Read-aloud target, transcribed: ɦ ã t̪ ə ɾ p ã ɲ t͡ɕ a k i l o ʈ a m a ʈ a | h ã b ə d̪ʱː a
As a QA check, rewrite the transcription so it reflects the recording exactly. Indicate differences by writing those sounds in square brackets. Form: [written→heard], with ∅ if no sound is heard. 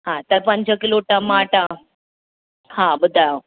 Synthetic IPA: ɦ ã t̪ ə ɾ p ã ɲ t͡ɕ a k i l o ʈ a m a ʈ a | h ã b ə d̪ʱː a